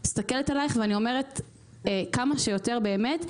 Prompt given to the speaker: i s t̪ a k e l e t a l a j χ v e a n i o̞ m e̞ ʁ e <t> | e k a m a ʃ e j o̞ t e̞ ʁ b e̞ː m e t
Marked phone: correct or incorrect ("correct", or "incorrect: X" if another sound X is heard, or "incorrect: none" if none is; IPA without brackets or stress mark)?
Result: correct